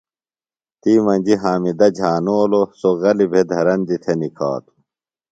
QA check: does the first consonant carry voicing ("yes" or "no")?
no